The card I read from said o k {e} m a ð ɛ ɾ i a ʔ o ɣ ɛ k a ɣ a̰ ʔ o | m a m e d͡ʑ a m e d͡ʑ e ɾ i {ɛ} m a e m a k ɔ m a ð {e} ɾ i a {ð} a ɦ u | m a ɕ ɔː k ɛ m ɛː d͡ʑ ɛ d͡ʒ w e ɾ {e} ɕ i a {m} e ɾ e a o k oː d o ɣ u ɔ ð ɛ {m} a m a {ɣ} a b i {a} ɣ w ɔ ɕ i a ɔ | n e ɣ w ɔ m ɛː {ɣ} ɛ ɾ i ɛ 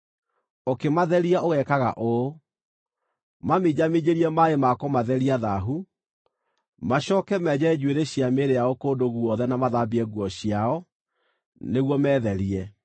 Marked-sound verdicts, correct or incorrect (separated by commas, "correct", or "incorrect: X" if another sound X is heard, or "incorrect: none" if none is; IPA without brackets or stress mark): correct, correct, incorrect: ɛ, correct, correct, correct, incorrect: n, incorrect: ð, incorrect: ɛ, incorrect: ð